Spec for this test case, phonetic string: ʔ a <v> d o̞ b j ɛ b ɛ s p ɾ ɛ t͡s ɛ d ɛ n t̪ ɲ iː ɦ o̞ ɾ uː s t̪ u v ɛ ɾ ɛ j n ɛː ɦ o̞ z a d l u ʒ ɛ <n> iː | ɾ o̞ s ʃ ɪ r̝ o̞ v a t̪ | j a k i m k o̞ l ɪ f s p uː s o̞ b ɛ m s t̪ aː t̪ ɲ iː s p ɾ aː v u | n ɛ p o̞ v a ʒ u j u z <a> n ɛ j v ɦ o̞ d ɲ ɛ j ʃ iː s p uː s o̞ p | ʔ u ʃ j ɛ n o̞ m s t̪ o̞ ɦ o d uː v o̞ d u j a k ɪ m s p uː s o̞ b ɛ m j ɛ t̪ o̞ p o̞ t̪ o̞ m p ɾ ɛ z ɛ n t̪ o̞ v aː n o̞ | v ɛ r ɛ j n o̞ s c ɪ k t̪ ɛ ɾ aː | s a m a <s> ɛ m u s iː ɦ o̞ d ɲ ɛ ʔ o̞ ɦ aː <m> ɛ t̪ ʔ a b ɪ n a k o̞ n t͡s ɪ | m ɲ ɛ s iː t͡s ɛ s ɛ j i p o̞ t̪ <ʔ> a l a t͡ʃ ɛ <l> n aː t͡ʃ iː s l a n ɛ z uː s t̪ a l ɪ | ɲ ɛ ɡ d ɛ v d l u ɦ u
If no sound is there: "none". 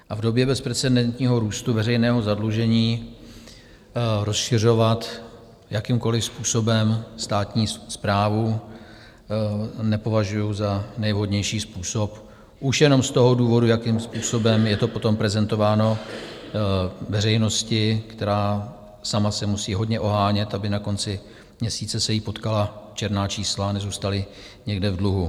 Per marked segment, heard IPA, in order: v, ɲ, a, s, ɲ, k, ɾ

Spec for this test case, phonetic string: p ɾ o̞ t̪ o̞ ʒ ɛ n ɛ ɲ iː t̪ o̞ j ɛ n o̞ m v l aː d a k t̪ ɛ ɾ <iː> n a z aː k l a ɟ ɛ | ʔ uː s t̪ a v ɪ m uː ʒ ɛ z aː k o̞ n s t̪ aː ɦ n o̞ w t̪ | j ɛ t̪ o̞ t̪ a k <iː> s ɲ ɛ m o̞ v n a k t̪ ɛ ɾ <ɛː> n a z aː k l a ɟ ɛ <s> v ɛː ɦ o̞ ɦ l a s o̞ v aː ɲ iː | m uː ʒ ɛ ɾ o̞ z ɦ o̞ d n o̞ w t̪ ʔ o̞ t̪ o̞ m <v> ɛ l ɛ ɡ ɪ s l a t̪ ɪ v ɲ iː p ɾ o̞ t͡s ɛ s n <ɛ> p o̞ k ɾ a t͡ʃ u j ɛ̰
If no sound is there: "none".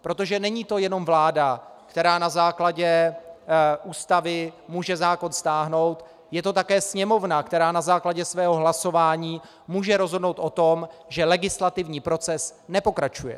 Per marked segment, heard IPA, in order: aː, ɛː, aː, s, ʒ, ɛ

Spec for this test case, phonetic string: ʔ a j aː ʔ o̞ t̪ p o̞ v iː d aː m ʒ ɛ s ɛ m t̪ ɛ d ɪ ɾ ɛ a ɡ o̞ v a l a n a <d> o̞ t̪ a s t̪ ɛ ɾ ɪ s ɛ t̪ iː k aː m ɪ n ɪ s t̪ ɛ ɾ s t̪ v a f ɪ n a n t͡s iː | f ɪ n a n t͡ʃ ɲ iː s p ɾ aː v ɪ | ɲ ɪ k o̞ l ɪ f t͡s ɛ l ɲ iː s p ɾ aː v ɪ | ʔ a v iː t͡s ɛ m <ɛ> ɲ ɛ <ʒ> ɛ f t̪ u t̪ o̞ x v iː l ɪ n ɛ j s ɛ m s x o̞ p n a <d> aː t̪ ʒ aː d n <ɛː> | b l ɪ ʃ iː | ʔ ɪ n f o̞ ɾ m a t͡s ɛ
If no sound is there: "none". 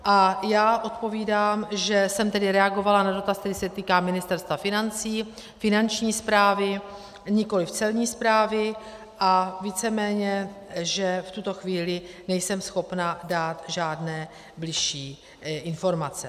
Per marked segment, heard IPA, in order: d, ɛː, ʒ, d, ɛː

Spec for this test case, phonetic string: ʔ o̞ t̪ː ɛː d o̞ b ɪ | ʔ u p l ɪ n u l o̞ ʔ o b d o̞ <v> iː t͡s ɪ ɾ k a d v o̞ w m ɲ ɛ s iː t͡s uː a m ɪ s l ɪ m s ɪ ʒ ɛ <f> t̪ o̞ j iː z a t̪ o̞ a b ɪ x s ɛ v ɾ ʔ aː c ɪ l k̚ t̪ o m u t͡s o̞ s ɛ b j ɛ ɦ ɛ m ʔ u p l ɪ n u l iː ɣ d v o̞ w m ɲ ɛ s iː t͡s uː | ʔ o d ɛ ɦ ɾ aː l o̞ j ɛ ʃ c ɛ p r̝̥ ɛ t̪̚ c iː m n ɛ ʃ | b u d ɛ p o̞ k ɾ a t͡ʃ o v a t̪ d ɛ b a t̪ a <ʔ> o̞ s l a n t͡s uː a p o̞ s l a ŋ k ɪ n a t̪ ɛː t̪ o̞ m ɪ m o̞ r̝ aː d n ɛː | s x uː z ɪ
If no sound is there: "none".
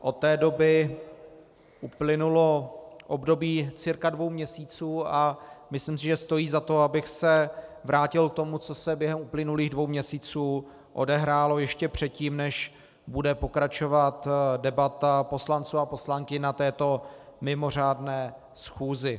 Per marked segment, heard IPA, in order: b, s, p

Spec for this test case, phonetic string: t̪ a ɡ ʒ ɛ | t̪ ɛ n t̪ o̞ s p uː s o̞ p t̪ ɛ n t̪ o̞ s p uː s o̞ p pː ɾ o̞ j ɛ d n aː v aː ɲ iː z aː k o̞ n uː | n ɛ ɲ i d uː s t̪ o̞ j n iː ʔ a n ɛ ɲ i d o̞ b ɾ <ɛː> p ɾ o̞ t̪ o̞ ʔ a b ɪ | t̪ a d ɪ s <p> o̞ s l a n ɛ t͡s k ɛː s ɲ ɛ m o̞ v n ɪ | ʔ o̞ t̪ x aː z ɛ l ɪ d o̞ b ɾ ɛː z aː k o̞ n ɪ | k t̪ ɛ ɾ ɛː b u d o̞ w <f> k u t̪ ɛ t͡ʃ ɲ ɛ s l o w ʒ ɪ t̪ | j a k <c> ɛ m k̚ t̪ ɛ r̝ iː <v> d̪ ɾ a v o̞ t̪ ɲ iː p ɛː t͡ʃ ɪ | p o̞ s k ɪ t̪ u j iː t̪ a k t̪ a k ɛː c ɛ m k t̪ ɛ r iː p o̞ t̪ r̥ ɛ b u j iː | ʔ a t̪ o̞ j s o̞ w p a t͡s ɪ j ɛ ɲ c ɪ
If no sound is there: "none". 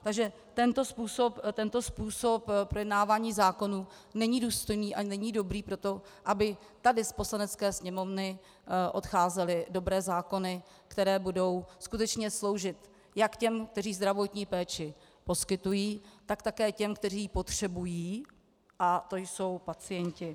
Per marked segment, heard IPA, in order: iː, p, s, c, z

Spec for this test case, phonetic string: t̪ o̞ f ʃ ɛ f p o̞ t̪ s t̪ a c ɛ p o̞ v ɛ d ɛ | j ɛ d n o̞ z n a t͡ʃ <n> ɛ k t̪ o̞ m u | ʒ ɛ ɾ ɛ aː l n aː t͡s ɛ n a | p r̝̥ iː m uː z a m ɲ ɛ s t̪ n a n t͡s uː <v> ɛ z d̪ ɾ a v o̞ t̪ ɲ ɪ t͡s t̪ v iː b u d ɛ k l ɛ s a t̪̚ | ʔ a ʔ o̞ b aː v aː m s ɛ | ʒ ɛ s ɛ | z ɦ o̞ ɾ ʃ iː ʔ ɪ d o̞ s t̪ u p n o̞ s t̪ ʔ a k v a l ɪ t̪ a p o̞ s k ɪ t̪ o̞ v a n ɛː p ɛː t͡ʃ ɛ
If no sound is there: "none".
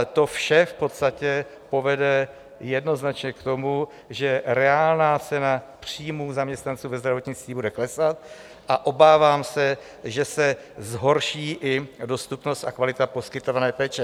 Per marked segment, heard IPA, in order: ɲ, v

